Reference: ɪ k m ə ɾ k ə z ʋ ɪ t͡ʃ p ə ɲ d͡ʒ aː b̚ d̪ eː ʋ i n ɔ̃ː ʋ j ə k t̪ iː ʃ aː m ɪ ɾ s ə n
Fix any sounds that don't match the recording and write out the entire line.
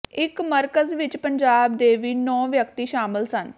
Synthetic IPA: ɪ k m ə ɾ k ə z ʋ ɪ t͡ʃ p ə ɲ d͡ʒ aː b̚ d̪ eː ʋ iː n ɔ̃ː ʋ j ə k t̪ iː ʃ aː m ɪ l s ə n